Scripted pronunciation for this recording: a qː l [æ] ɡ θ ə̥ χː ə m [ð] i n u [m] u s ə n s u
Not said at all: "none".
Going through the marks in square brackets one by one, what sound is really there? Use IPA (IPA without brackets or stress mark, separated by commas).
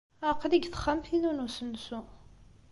i, θ, n